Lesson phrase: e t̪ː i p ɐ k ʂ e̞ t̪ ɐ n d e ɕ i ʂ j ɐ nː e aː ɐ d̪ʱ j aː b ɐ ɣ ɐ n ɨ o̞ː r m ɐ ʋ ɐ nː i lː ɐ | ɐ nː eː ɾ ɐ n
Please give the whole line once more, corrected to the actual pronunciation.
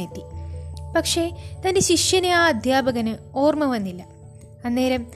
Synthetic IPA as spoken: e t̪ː i p ɐ k ʂ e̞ t̪ ɐ n d e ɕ i ʂ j ɐ n e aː ɐ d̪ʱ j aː b ɐ ɣ ɐ n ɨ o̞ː r m ɐ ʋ ɐ nː i lː ɐ | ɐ nː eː ɾ ɐ m